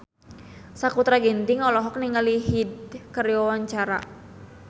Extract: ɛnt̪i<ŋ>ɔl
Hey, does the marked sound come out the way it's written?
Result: yes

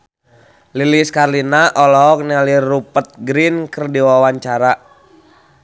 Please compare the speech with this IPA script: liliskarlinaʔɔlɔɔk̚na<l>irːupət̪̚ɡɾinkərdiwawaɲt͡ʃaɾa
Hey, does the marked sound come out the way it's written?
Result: yes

